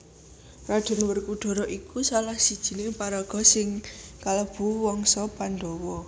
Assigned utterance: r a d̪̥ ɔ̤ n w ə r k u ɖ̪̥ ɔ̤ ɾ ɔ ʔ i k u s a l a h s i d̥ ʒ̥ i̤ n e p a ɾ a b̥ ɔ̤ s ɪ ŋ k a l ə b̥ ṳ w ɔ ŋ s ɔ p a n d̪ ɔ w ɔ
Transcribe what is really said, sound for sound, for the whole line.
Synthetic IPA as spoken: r a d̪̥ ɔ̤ n w ə r k u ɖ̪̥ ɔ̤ ɾ ɔ ʔ i k u s a l a h s i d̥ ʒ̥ i̤ n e p a ɾ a ɡ̥ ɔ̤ s ɪ ŋ k a l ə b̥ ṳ w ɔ ŋ s ɔ p a n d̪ ɔ w ɔ